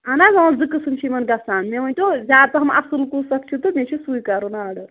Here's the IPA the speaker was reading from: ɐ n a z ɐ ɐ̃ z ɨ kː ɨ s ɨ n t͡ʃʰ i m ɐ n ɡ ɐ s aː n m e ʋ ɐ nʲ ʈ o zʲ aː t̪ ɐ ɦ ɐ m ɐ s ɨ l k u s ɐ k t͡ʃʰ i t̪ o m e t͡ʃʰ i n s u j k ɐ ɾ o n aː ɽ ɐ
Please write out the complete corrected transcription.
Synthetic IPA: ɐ n a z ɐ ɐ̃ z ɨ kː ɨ s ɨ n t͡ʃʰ i m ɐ n ɡ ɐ s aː n m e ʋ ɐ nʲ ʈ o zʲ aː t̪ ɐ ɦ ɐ m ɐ s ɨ l k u s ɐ k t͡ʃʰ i t̪ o m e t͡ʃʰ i s u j k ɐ ɾ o n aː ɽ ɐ

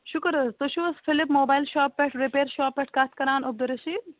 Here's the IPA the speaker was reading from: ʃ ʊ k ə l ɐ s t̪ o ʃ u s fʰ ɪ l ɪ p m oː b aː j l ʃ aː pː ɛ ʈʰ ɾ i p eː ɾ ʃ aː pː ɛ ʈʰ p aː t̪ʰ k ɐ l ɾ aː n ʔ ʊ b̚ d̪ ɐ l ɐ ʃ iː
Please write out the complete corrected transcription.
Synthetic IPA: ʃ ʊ k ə ɾ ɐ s t̪ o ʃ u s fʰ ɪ l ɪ p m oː b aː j l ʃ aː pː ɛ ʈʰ ɾ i p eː ɾ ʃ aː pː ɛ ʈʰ k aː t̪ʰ k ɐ ɾ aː n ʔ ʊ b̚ d̪ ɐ ɾ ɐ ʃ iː

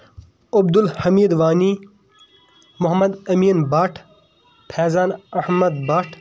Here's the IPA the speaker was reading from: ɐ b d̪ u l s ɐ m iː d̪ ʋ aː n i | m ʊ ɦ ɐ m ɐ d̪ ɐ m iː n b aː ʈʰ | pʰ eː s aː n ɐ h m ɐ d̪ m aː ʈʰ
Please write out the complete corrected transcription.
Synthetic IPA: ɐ b d̪ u l h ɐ m iː d̪ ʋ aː n i | m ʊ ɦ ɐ m ɐ d̪ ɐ m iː n b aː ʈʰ | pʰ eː z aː n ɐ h m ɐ d̪ b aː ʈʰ

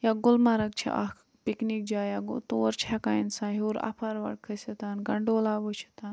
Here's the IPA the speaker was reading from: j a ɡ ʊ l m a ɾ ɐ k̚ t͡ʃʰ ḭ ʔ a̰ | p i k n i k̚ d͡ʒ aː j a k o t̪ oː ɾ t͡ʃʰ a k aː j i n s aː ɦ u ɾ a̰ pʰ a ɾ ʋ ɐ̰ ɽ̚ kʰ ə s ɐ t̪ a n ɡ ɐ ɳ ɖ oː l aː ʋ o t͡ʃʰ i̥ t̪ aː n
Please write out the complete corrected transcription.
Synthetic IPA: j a ɡ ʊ l m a ɾ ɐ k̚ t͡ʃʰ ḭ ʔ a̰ | p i k n i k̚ d͡ʒ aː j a ɡ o t̪ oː ɾ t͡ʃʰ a k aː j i n s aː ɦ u ɾ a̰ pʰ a ɾ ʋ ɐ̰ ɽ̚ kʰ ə s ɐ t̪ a n ɡ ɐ ɳ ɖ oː l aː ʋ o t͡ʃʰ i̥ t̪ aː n

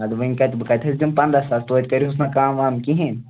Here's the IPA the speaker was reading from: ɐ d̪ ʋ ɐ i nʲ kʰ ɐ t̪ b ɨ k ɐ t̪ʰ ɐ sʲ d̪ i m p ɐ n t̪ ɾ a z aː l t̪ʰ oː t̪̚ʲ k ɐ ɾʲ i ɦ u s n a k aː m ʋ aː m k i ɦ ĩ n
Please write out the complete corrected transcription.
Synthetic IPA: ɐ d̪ ʋ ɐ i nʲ k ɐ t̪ b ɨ k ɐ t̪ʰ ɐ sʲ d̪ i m p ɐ n d̪ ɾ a s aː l t̪ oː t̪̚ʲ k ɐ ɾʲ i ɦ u s n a k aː m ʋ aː m k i ɦ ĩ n

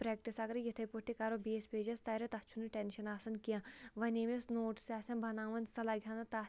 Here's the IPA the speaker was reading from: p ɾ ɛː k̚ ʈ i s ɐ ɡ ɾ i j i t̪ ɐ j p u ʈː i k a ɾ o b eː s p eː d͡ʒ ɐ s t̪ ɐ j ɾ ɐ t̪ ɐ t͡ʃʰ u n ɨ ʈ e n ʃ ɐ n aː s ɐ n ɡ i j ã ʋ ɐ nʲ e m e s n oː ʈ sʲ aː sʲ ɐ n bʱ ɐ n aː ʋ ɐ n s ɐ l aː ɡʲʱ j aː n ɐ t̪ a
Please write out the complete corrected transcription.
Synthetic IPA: p ɾ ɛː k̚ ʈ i s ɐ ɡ ɾ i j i t̪ʰ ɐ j p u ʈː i k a ɾ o b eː s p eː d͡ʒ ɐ s t̪ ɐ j ɾ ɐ t̪ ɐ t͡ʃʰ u n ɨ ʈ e n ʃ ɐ n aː s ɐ n k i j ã ʋ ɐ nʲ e m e s n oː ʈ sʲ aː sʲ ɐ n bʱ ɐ n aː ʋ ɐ n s ɐ l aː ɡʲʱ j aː n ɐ t̪ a

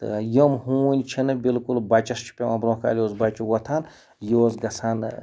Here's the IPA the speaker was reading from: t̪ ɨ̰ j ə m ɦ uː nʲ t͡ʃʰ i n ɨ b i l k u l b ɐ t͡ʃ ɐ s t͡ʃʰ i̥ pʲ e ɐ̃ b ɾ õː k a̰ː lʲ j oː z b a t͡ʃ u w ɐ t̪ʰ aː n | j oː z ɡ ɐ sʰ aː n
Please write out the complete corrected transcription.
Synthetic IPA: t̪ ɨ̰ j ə m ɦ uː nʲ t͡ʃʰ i n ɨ b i l k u l b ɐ t͡ʃ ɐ s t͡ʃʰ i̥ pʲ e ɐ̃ b ɾ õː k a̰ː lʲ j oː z b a t͡ʃ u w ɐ t̪ʰ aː n | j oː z ɡ ɐ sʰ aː n

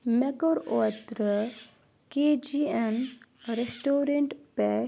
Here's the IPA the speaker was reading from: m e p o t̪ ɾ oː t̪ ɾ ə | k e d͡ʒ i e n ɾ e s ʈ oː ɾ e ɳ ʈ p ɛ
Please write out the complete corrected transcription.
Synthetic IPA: m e k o ɾ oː t̪ ɾ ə | k e d͡ʒ i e n ɾ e s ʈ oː ɾ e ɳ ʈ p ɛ

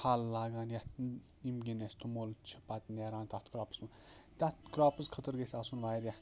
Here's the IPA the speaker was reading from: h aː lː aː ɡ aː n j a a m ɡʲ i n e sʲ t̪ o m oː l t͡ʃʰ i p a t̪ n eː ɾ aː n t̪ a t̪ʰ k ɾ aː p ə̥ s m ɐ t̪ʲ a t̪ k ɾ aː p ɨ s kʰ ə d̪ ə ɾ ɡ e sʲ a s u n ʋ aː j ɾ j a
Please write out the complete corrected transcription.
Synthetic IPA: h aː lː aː ɡ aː n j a i m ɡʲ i n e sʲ t̪ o m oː l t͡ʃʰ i p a t̪ n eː ɾ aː n t̪ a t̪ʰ k ɾ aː p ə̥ s m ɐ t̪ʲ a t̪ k ɾ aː p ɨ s kʰ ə t̪ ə ɾ ɡ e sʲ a s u n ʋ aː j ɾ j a

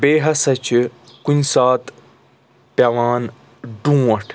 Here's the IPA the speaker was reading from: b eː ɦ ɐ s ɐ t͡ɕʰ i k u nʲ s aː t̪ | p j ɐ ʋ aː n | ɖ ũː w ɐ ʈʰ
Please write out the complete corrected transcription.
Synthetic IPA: b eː ɦ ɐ s ɐ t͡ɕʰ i k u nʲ s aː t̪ | p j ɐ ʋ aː n | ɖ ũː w ɐ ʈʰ

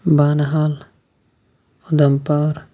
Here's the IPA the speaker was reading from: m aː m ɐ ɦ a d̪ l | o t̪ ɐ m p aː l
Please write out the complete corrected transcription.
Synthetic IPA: b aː n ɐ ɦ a l | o d̪ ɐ m p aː ɾ

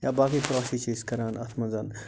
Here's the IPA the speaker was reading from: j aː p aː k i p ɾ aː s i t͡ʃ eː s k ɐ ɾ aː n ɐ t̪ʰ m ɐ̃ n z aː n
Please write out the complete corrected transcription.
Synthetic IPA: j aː b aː k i p ɾ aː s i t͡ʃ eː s k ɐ ɾ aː n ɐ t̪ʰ m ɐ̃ n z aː n

